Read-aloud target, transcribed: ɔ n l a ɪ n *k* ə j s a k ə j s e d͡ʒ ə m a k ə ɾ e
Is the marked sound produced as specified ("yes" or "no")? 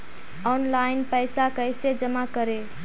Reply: no